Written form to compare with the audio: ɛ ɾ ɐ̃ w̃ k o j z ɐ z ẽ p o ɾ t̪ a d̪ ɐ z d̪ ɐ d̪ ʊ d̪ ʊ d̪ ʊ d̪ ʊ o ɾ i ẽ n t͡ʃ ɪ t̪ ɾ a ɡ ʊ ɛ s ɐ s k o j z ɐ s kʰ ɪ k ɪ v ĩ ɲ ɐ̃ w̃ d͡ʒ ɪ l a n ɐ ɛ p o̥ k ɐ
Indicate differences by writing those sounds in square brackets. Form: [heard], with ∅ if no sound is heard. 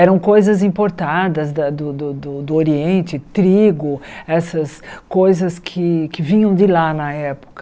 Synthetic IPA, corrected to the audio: ɛ ɾ ɐ̃ w̃ k o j z ɐ z [ĩ] p o ɾ t̪ a d̪ ɐ z d̪ ɐ d̪ ʊ d̪ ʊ d̪ ʊ d̪ ʊ o ɾ i ẽ n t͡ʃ ɪ t̪ ɾ [i] ɡ ʊ ɛ s ɐ s k o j z ɐ s kʰ ɪ k ɪ v ĩ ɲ ɐ̃ w̃ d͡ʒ ɪ l a n ɐ ɛ p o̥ k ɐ